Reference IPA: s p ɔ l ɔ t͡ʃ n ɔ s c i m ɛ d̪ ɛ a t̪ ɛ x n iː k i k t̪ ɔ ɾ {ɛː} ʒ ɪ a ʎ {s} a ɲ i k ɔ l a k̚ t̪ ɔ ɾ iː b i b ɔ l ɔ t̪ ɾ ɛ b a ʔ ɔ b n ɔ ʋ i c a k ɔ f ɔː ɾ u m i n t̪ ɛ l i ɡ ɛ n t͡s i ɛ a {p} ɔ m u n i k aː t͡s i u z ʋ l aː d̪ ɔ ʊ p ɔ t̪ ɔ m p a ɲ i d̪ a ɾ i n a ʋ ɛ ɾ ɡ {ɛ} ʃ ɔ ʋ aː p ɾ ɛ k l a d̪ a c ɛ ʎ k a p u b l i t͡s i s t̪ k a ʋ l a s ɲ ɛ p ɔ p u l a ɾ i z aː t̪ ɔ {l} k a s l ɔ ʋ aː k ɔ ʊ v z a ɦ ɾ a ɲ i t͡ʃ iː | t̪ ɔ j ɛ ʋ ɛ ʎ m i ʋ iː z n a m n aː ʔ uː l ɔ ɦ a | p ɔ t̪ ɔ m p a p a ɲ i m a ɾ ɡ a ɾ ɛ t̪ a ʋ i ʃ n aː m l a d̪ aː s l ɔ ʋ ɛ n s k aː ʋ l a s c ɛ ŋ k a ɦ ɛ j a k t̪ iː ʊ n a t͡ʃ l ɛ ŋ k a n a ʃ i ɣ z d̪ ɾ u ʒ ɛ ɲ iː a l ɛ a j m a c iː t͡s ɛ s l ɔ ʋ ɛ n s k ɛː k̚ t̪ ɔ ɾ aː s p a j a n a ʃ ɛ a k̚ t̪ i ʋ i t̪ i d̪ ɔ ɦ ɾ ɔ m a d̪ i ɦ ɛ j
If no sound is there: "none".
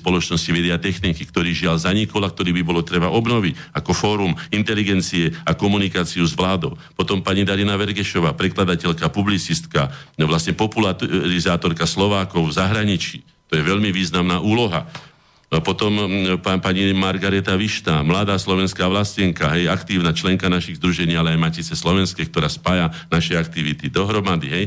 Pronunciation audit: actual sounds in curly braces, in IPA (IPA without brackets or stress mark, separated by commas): iː, z, k, ɛ, ɾ